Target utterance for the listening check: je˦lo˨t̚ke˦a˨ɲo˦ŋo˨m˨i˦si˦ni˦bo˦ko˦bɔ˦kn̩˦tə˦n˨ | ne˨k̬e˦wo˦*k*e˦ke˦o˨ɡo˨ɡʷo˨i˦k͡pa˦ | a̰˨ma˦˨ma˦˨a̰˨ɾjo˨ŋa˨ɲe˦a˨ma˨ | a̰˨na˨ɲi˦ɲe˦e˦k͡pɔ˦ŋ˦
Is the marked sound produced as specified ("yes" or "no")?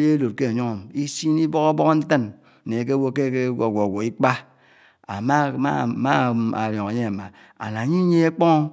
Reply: yes